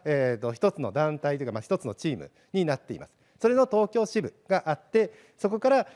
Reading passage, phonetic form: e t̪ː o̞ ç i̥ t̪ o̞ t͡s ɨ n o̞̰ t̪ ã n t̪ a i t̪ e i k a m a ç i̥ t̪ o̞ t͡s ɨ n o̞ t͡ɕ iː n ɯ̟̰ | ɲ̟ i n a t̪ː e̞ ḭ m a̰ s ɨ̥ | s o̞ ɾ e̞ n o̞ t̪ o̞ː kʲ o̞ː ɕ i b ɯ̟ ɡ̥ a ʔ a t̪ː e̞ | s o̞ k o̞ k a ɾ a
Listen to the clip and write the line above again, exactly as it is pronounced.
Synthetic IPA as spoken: e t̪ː o̞ ç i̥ t̪ o̞ t͡s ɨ n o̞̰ d̪ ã n t̪ a i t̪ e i k a m a ç i̥ t̪ o̞ t͡s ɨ n o̞ t͡ɕ iː m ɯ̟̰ | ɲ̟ i n a t̪ː e̞ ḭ m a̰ s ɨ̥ | s o̞ ɾ e̞ n o̞ t̪ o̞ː kʲ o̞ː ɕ i b ɯ̟ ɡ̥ a ʔ a t̪ː e̞ | s o̞ k o̞ k a ɾ a